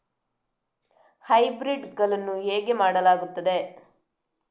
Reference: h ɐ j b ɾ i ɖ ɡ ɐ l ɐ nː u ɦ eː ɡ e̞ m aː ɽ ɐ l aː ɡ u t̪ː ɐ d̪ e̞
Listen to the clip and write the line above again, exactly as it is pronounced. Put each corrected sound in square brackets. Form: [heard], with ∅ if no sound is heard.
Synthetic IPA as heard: h ɐ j b ɾ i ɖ ɡ ɐ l ɐ nː u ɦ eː ɡ e̞ m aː ɽ ɐ l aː ɡ u t̪ː ɐ d̪ e̞

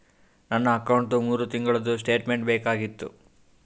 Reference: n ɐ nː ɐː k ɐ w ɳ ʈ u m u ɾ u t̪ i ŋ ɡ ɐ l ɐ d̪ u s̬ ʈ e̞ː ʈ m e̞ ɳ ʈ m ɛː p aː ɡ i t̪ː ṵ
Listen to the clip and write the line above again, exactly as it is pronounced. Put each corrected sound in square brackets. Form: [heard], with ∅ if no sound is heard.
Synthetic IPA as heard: n ɐ nː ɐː k ɐ w ɳ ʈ u m [uː] ɾ u t̪ i ŋ ɡ ɐ [ɭ] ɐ d̪ u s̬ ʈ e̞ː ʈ m e̞ ɳ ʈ [b] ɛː [k] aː ɡ i t̪ː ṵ

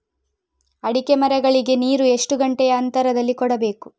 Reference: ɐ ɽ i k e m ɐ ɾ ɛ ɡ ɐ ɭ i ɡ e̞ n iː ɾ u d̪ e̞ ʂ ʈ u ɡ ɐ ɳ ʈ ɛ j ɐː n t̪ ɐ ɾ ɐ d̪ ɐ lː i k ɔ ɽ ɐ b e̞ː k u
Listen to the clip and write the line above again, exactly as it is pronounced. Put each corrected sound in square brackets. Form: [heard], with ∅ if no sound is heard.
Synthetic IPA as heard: ɐ ɽ i k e m ɐ ɾ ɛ ɡ ɐ ɭ i ɡ e̞ n iː ɾ u [∅] e̞ ʂ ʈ u ɡ ɐ ɳ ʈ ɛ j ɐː n t̪ ɐ ɾ ɐ d̪ ɐ lː i k ɔ ɽ ɐ b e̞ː k u

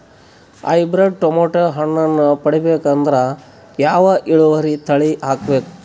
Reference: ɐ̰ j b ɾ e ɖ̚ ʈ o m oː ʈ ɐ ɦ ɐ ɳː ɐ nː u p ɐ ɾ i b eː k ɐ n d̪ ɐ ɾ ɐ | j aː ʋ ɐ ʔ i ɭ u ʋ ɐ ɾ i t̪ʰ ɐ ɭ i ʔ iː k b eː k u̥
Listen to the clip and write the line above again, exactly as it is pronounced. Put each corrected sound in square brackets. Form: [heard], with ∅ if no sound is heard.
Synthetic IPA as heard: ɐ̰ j b ɾ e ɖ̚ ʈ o m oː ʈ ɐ ɦ ɐ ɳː ɐ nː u p ɐ [ɽ] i b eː k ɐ n d̪ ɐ ɾ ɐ | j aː ʋ ɐ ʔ i ɭ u ʋ ɐ ɾ i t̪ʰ ɐ ɭ i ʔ [aː] k b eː k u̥

